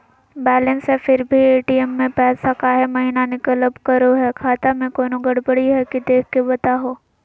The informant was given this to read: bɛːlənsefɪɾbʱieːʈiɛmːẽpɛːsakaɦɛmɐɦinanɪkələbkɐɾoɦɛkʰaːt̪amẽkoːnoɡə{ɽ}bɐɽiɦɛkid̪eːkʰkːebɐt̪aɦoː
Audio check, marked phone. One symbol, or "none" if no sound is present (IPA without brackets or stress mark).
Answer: ɽ